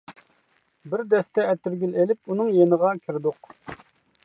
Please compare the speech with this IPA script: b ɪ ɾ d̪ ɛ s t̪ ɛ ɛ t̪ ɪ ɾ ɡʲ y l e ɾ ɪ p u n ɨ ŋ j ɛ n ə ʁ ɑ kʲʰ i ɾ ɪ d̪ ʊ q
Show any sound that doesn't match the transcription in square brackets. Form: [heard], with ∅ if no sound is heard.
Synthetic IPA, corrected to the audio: b ɪ ɾ d̪ ɛ s t̪ ɛ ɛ t̪ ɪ ɾ ɡʲ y l e [l] ɪ p u n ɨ ŋ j [e] n ə ʁ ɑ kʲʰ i ɾ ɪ d̪ ʊ q

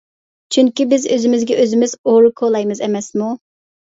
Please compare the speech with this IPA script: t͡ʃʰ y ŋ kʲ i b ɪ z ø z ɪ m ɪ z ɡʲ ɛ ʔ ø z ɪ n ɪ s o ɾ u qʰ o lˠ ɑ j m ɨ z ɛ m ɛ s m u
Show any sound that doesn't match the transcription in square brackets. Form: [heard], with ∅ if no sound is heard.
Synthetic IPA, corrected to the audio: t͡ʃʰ y ŋ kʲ i b ɪ z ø z ɪ m ɪ z ɡʲ ɛ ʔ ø z ɪ [m] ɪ [z] o ɾ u [kʰ] o lˠ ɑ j m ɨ z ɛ m ɛ s m u

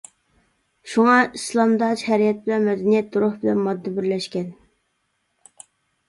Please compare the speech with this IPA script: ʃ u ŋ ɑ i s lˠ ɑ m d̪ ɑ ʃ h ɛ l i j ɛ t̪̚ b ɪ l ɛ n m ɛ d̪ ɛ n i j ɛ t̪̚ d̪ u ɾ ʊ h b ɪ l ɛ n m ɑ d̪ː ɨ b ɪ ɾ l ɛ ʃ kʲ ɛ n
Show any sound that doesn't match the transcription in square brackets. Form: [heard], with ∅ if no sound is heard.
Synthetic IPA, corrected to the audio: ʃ u ŋ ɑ i s lˠ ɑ m d̪ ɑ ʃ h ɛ [ɾ] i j ɛ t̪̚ b ɪ l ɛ n m ɛ d̪ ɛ n i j ɛ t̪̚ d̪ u ɾ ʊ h b ɪ l ɛ n m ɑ d̪ː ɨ b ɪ ɾ l ɛ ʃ kʲ ɛ n

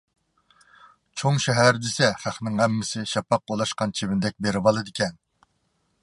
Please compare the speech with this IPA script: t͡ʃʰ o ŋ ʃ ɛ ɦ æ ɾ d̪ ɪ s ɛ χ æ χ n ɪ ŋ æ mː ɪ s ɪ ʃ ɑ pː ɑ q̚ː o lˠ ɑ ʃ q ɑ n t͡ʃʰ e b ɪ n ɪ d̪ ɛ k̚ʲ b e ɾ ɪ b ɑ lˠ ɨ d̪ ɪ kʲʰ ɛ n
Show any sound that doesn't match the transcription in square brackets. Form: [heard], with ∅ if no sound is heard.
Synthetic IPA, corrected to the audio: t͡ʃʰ o ŋ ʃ ɛ ɦ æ ɾ d̪ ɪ s ɛ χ æ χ n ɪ ŋ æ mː ɪ s ɪ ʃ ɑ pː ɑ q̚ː o lˠ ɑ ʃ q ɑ n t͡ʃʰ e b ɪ n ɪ d̪ ɛ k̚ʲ b e ɾ ɪ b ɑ lˠ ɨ d̪ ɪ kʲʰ ɛ n

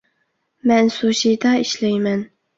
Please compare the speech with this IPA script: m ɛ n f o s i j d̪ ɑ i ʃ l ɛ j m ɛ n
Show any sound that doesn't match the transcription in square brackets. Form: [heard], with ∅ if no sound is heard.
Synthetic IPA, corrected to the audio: m ɛ n [s] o [ʃ] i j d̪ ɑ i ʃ l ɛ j m ɛ n

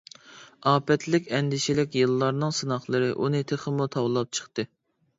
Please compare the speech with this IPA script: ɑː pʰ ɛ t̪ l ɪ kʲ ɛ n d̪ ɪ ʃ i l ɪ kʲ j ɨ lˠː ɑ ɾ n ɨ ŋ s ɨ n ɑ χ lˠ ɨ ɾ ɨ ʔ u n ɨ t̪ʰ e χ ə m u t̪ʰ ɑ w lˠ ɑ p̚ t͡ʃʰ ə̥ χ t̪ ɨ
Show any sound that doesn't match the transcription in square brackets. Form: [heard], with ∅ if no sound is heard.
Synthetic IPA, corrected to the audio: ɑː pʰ ɛ t̪ l ɪ kʲ ɛ n d̪ ɪ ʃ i l ɪ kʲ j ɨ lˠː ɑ ɾ n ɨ ŋ s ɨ n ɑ χ lˠ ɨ ɾ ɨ ʔ u n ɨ t̪ʰ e χ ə m u t̪ʰ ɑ w lˠ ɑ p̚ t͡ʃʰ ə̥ χ t̪ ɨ

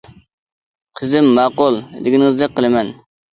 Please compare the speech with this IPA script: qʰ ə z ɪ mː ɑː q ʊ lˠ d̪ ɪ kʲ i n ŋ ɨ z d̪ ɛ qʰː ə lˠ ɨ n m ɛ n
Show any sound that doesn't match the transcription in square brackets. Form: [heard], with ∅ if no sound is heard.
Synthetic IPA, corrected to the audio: qʰ ə z ɪ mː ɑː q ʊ lˠ d̪ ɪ [ɡʲ] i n ŋ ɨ z d̪ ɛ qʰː ə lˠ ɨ [∅] m ɛ n

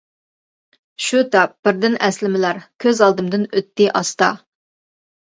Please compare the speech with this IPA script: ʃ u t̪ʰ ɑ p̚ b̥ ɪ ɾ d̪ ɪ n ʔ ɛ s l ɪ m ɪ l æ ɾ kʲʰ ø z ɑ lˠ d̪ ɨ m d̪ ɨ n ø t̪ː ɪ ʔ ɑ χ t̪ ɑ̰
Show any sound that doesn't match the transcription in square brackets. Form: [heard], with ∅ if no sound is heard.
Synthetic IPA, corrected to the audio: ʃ u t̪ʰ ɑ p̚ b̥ ɪ ɾ d̪ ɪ n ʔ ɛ s l ɪ m ɪ l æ ɾ kʲʰ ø z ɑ lˠ d̪ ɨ m d̪ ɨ n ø t̪ː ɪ ʔ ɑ [s] t̪ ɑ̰

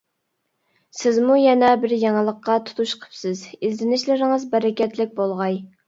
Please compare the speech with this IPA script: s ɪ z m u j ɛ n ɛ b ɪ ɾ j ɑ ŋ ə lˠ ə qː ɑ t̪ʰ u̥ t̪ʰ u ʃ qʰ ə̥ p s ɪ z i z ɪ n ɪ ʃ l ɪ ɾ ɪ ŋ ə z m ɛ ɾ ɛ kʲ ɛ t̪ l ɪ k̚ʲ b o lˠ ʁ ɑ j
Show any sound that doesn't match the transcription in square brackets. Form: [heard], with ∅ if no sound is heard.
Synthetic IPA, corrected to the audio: s ɪ z m u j ɛ n ɛ b ɪ ɾ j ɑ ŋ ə lˠ ə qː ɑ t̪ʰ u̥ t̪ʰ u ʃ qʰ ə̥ p s ɪ z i z ɪ n ɪ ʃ l ɪ ɾ ɪ ŋ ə z [b] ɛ ɾ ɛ kʲ ɛ t̪ l ɪ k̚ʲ b o lˠ ʁ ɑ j

